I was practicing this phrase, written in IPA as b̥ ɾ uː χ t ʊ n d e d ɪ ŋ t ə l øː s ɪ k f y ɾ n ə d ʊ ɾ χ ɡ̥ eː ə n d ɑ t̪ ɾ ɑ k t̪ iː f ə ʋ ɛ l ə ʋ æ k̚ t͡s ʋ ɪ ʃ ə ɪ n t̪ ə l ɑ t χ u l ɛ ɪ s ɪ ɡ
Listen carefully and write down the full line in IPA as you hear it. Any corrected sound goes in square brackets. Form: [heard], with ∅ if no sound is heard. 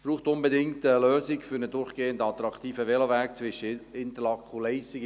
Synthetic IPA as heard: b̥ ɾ uː χ t ʊ n [b] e d ɪ ŋ t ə l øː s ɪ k f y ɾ n ə d ʊ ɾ χ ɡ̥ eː ə n d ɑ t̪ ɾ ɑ k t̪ iː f ə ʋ ɛ l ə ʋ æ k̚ t͡s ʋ ɪ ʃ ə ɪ n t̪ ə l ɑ [k] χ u l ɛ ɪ s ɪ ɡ